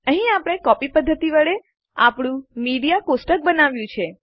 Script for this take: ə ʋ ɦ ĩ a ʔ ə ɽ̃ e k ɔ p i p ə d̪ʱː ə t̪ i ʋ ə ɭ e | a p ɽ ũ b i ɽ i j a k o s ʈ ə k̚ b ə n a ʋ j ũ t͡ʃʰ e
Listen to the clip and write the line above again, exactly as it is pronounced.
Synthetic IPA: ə ɦ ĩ a p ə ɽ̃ e k ɔ p i p ə d̪ʱː ə t̪ i ʋ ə ɭ e | a p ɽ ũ m i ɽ i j a k o s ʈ ə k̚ b ə n a ʋ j ũ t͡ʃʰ e

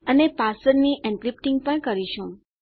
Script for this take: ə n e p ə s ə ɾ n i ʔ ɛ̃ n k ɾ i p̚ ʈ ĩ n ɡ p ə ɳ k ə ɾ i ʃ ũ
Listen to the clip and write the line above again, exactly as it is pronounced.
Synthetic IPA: ə n e p a s ə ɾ n i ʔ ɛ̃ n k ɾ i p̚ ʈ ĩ ŋ ɡ p ə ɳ k ə ɾ i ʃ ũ

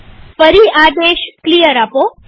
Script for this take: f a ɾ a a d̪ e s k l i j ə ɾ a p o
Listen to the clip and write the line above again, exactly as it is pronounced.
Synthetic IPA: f ə ɾ i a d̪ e ʃ k l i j ə ɾ a p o

